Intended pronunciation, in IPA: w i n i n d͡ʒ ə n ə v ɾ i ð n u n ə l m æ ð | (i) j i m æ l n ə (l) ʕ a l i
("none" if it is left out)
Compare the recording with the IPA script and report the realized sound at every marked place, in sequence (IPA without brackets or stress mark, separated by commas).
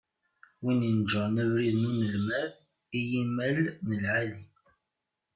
i, l